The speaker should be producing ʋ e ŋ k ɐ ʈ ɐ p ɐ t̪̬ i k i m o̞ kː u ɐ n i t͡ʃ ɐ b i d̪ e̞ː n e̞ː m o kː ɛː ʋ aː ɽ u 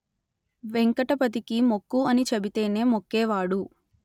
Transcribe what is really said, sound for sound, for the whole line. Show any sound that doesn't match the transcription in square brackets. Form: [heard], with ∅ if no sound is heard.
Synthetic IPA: ʋ e ŋ k ɐ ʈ ɐ p ɐ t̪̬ i k i m o̞ kː u ɐ n i t͡ʃ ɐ b i [t̪] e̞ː n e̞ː m o kː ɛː ʋ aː ɽ u